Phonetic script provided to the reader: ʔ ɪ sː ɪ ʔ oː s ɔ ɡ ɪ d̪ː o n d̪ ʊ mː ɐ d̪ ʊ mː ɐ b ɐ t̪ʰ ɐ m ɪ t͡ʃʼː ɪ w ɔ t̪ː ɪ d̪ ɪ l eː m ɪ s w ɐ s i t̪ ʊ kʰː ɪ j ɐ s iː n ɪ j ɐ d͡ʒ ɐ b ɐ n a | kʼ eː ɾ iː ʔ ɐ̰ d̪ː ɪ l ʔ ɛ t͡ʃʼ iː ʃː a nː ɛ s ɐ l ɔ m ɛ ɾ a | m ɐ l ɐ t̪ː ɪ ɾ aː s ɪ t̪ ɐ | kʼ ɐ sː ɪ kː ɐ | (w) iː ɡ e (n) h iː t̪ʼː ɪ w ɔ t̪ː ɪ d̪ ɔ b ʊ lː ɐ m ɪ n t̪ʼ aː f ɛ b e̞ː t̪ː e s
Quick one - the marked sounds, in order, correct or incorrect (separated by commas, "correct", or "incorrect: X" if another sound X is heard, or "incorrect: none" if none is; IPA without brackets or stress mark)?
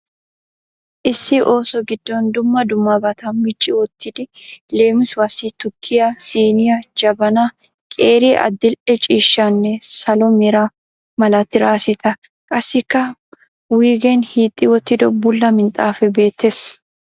correct, correct